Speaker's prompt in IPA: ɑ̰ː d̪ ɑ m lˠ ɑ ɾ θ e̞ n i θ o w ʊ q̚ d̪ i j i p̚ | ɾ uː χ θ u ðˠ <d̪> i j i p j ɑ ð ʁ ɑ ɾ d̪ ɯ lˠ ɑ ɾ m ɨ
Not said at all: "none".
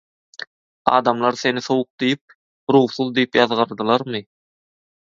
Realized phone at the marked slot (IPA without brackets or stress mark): d̪